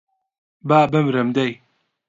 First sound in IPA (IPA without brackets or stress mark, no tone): b